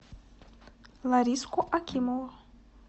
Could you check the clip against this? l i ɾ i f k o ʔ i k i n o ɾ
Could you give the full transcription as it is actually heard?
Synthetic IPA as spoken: l a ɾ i s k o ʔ a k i m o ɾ